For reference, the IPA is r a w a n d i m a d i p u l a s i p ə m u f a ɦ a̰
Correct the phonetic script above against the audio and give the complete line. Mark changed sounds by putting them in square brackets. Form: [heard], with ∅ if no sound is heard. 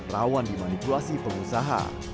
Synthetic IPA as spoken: r a w a n d i m a [n] i p u l a s i p ə [ŋ] u [s] a ɦ a̰

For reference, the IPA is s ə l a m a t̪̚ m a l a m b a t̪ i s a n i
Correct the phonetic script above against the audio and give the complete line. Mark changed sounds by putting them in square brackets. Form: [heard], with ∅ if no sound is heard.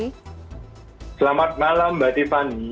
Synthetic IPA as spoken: s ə l a m a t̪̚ m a l a m b a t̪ i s a n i

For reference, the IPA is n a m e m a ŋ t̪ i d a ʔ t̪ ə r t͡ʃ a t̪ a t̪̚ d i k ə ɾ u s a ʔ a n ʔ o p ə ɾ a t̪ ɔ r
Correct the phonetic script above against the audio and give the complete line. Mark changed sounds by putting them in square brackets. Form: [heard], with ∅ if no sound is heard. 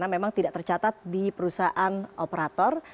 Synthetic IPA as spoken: n a m e m a ŋ t̪ i d a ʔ t̪ ə r t͡ʃ a t̪ a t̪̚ d i [p] ə ɾ u s a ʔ a n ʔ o p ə ɾ a t̪ ɔ r

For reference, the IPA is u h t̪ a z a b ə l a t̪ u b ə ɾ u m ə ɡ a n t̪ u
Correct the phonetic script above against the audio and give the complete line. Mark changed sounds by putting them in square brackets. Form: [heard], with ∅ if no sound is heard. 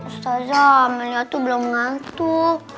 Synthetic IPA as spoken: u [s] t̪ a z a [m] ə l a t̪ u b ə [l] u m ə [ŋ] a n t̪ u

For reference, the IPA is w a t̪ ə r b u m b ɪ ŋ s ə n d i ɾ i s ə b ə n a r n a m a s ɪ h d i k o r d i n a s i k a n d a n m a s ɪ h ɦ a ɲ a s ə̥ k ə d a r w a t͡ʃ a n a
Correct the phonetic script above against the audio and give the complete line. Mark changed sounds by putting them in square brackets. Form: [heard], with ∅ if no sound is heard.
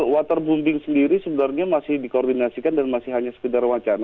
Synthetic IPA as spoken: w a t̪ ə r b u m b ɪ ŋ s ə n d i ɾ i s ə b ə n a r [ɲ] a m a s ɪ h d i k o r d i n a s i k a n d a n m a s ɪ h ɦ a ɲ a s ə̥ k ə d a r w a t͡ʃ a n a

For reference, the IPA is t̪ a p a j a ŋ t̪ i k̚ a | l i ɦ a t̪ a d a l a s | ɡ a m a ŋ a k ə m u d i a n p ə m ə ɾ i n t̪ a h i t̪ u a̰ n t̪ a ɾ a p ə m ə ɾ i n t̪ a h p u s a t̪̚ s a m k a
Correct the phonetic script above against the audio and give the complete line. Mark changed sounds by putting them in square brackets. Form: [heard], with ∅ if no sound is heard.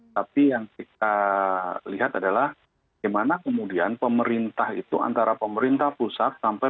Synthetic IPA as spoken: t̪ a p [i] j a ŋ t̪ i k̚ a | l i ɦ a t̪ a d a l a [h] | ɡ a m a [n] a k ə m u d i a n p ə m ə ɾ i n t̪ a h i t̪ u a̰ n t̪ a ɾ a p ə m ə ɾ i n t̪ a h p u s a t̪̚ s a m [p] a

